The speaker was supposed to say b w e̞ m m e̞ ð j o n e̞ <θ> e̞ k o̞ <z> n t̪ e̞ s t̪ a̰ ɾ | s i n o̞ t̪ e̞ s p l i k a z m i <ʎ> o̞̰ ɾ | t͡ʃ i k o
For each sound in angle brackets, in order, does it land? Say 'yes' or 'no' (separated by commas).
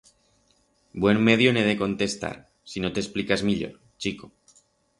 no, no, yes